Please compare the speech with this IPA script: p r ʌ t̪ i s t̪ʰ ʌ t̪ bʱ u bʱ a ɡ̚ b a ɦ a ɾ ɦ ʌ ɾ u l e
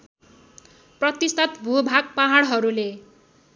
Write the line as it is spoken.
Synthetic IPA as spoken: p r ʌ t̪ i s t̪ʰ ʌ t̪ bʱ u bʱ a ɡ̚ p a ɦ a ɽ ɦ ʌ ɾ u l e